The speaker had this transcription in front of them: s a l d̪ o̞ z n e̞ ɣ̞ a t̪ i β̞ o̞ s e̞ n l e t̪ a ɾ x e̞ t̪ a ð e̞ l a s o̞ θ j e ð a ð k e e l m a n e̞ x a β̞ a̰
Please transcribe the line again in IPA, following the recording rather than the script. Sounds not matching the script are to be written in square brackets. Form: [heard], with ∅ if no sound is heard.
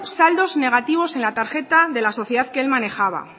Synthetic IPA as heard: s a l d̪ o̞ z n e̞ ɣ̞ a t̪ i β̞ o̞ s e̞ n l [a] t̪ a ɾ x e̞ t̪ a ð e̞ l a s o̞ θ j e ð a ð k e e l m a n e̞ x a β̞ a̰